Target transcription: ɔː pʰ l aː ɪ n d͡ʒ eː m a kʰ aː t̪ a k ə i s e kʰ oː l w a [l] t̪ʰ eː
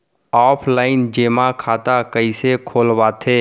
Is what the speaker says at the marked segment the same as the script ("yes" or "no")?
no